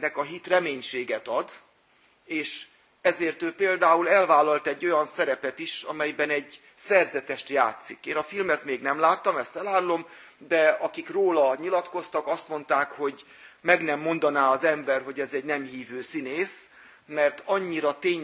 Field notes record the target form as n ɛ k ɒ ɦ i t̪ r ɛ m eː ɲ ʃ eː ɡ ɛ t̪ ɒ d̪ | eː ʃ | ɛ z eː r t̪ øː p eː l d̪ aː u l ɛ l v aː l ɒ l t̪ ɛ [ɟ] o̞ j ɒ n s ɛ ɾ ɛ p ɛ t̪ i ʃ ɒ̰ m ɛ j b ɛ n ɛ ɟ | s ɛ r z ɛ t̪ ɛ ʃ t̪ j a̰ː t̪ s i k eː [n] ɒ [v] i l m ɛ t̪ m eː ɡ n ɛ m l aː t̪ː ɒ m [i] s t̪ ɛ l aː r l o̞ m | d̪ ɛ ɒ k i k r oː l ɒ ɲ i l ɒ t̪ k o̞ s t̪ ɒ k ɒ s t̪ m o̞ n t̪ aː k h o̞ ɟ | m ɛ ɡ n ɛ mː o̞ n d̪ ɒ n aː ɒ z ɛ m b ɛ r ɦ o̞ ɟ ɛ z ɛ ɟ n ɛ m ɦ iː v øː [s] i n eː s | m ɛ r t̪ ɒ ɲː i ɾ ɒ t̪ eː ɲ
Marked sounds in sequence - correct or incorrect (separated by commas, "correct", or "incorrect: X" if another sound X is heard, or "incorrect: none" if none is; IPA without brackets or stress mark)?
incorrect: ɟː, correct, incorrect: f, incorrect: ɛ, correct